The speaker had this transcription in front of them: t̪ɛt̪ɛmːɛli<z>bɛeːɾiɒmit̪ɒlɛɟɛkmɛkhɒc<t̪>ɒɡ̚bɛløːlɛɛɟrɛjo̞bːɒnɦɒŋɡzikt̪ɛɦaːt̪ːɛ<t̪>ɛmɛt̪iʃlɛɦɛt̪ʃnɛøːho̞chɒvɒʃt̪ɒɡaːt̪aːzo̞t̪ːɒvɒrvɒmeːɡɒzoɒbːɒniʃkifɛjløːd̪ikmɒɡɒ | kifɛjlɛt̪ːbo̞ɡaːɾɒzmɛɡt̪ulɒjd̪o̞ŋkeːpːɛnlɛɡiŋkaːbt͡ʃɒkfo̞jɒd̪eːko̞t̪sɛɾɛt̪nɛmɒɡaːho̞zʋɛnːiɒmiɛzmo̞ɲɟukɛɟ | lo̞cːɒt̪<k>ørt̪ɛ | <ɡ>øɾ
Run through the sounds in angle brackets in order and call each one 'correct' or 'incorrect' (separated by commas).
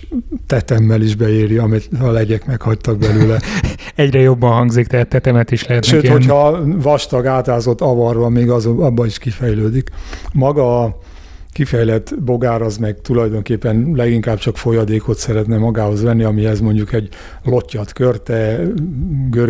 incorrect, correct, correct, correct, correct